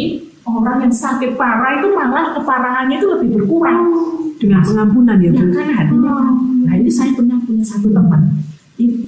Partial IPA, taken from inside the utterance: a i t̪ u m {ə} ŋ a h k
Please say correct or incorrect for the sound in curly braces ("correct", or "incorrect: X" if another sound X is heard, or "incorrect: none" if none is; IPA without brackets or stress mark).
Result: incorrect: a